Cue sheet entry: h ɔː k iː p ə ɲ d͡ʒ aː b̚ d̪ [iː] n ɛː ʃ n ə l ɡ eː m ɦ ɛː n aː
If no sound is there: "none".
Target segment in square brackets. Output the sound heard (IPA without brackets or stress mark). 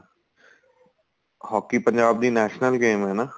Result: iː